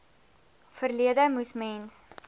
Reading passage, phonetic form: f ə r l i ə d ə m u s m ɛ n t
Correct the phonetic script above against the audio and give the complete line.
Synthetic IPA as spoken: f ə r l i ə d ə m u s m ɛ n s